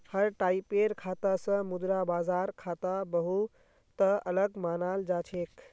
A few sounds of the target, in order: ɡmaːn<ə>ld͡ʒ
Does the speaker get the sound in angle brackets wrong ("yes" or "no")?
yes